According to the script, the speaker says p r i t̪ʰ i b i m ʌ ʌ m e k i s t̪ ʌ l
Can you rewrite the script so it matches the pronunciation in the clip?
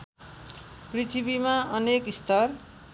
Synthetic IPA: p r i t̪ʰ i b i m a ʌ n e k i s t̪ ʌ r